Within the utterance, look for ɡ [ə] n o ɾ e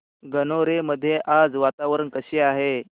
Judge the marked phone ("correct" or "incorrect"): correct